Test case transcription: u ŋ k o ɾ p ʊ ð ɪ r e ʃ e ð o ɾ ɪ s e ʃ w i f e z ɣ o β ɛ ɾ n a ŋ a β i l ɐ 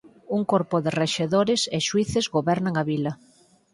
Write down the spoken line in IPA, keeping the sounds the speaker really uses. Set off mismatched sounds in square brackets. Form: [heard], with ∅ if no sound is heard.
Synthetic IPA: u ŋ k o ɾ p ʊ ð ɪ r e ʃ e ð o ɾ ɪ s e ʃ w i [θ] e z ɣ o β ɛ ɾ n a ŋ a β i l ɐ